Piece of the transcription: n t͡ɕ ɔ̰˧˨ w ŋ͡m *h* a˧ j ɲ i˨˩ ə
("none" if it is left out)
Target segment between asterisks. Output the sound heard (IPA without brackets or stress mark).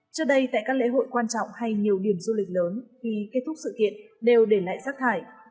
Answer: h